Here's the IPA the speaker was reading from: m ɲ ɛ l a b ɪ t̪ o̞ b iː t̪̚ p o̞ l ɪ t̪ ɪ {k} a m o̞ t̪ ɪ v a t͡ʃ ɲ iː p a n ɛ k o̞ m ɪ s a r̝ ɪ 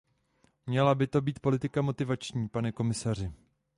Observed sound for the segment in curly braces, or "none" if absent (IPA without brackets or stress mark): k